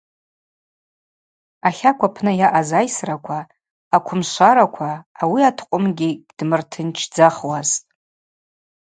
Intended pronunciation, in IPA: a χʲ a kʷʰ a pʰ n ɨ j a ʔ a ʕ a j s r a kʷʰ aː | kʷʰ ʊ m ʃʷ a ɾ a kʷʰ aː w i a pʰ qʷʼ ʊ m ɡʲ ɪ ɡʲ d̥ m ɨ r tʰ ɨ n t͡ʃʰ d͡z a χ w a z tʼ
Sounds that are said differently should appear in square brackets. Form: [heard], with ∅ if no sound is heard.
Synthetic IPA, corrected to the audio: a χʲ a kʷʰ a pʰ n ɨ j a ʔ a [z] a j s r a kʷʰ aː | kʷʰ ʊ m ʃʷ a ɾ a kʷʰ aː w i a [tʰ] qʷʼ ʊ m ɡʲ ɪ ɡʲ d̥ m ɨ r tʰ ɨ n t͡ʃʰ d͡z a χ w a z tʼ

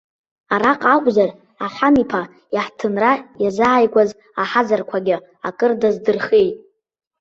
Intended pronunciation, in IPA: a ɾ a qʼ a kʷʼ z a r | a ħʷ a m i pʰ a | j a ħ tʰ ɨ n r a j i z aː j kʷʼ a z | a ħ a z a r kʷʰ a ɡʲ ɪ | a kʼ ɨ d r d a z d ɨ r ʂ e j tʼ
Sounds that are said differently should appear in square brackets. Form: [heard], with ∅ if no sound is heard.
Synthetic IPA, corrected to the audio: a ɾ a qʼ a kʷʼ z a r | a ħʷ a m i pʰ a | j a ħ tʰ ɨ n r a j [a] z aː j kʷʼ a z | a ħ a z a r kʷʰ a ɡʲ ɪ | a kʼ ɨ [∅] r d a z d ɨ r [χ] e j tʼ

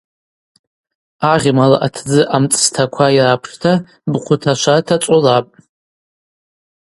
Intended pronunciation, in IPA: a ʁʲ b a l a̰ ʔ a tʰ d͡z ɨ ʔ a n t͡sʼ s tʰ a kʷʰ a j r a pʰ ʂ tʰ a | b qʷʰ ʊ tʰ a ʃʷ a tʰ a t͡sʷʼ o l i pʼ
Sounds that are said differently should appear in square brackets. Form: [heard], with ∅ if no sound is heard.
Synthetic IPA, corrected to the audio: a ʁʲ [m] a l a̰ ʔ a tʰ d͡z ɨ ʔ a [m] t͡sʼ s tʰ a kʷʰ a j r a pʰ ʂ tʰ a | b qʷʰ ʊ tʰ a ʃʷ a tʰ a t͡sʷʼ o l [a] pʼ

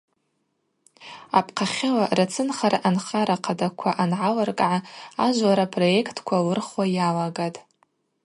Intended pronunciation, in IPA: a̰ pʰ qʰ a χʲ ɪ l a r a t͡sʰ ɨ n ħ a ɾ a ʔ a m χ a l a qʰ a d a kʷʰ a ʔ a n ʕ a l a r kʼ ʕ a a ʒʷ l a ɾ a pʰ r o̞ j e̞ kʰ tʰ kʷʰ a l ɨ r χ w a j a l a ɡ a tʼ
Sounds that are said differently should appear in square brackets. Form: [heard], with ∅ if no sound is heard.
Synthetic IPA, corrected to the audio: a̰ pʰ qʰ a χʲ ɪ l a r a t͡sʰ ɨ n [χ] a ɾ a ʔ a [n] χ a [ɾ] a qʰ a d a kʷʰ a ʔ a n ʕ a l a r kʼ ʕ a a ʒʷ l a ɾ a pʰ r o̞ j e̞ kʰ tʰ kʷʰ a l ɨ r χ w a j a l a ɡ a tʼ

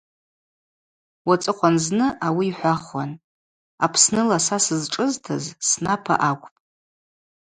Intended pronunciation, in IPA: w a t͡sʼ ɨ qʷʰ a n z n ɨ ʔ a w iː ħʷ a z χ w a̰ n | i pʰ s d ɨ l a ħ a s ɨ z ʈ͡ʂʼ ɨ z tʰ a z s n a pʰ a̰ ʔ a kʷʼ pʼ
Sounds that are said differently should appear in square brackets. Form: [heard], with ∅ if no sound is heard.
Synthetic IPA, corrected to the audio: w a t͡sʼ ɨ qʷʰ a n z n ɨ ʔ a w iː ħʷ a [∅] χ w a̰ n | [a] pʰ s [n] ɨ l a [s] a s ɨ z ʈ͡ʂʼ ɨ z tʰ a z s n a pʰ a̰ ʔ a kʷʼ pʼ

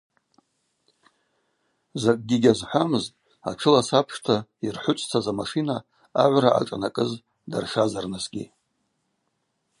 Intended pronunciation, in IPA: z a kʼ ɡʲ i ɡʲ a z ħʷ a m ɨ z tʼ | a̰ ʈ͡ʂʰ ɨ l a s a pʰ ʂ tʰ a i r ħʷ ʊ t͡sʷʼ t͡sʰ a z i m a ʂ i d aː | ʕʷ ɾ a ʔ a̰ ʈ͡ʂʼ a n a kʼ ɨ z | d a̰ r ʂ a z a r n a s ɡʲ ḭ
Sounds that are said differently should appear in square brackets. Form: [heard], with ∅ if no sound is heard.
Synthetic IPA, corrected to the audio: z a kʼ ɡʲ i ɡʲ a z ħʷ a m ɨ z tʼ | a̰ ʈ͡ʂʰ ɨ l a s a pʰ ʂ tʰ a i r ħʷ ʊ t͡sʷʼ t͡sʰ a z [a] m a ʂ i [n] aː | ʕʷ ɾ a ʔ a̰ ʈ͡ʂʼ a n a kʼ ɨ z | d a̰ r ʂ a z a r n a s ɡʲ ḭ

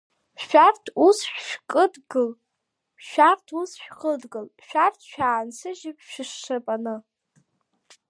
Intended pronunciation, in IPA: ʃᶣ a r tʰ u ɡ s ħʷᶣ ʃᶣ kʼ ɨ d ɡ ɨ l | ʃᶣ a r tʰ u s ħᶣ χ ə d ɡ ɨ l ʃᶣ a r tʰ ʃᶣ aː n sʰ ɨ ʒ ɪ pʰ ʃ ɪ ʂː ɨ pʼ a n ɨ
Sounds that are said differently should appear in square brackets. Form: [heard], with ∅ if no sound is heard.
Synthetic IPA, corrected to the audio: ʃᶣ a r tʰ u [∅] s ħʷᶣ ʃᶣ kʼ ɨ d ɡ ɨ l | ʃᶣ a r tʰ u s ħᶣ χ ə d ɡ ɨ l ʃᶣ a r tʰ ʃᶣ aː n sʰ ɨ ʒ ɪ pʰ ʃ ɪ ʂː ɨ pʼ a n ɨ

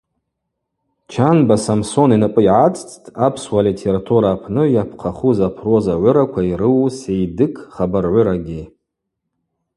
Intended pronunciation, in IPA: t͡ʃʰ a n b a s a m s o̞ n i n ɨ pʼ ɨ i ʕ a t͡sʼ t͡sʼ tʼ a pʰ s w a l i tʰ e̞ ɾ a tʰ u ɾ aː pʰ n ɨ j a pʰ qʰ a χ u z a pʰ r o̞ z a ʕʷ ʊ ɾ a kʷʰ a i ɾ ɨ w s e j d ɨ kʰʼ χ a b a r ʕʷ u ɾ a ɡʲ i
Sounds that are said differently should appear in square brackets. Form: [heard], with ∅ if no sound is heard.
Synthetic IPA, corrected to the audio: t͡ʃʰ a n b a s a m s o̞ n i n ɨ pʼ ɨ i ʕ a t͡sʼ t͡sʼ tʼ a pʰ s w a l i tʰ e̞ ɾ a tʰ u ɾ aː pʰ n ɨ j a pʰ qʰ a χ u z a pʰ r o̞ z a ʕʷ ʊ ɾ a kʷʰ a i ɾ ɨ w s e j d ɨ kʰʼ χ a b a r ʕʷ [ʊ] ɾ a ɡʲ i

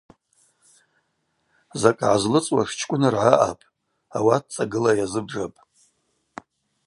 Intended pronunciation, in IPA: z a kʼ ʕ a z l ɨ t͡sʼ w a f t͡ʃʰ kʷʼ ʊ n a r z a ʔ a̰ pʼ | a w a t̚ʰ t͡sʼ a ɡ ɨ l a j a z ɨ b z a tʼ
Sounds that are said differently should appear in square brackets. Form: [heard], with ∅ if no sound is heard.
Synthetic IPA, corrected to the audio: z a kʼ ʕ a z l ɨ t͡sʼ w a [ʂ] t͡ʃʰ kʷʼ ʊ n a r [ʕ] a ʔ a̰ pʼ | a w a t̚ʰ t͡sʼ a ɡ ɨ l a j a z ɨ b [ʐ] a [pʼ]

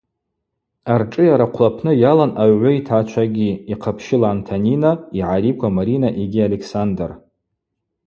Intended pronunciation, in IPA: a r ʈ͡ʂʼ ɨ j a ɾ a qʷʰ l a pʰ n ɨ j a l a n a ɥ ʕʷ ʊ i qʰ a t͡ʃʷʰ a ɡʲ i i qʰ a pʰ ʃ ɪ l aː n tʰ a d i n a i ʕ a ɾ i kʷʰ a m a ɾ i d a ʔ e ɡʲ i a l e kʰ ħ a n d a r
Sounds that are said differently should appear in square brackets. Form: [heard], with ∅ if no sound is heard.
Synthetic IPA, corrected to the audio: a r ʈ͡ʂʼ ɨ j a ɾ a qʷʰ l a pʰ n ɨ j a l a n a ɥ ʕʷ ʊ i [tʰ] a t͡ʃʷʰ a ɡʲ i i qʰ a pʰ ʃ ɪ l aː n tʰ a [n] i n a i ʕ a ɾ i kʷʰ a m a ɾ i [n] a ʔ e ɡʲ i a l e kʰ [s] a n d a r

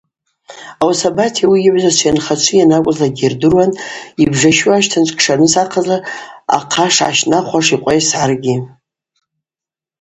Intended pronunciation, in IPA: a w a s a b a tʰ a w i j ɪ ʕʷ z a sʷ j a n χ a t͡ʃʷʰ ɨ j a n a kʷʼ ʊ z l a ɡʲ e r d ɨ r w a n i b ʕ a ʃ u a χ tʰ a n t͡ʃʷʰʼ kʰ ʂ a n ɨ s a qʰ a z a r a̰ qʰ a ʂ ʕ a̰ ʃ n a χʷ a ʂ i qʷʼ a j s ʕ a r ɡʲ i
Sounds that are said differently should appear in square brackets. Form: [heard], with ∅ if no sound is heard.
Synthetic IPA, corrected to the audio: a w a s a b a tʰ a w i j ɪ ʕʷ z a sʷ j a n χ a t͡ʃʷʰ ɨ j a n a kʷʼ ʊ z l a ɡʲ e r d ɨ r w a n i b [ʐ] a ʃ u a [ʃ] tʰ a n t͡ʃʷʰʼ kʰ ʂ a n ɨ s a qʰ a z a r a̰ qʰ a ʂ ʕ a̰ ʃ n a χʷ a ʂ i qʷʼ a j s ʕ a r ɡʲ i

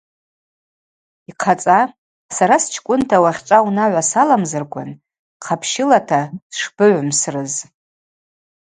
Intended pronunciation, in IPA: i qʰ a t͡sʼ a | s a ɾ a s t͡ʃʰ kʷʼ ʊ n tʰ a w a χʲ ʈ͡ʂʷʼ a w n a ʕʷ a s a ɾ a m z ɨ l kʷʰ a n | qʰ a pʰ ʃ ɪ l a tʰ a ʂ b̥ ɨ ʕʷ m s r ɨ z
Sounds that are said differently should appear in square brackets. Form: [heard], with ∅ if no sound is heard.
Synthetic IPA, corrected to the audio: i qʰ a t͡sʼ a | s a ɾ a s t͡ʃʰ kʷʼ ʊ n tʰ a w a χʲ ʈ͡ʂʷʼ a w n a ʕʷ a s a [l] a m z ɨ [r] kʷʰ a n | qʰ a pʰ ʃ ɪ l a tʰ a ʂ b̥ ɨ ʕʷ m s r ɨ z

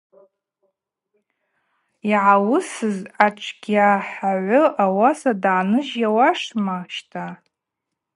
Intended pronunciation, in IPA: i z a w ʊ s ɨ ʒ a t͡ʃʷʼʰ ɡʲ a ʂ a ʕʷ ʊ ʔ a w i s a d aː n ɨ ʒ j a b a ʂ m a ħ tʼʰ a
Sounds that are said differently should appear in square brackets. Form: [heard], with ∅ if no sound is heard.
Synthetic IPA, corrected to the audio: i [ʕ] a w ʊ s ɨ [z] a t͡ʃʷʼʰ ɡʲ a [ħ] a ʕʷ ʊ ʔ a w [a] s a d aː n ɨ ʒ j a [w] a ʂ m a [ʃ] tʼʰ a

